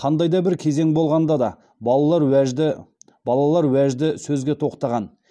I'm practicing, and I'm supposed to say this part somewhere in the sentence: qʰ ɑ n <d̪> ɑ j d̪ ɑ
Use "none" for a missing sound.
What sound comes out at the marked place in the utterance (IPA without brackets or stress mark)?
d̪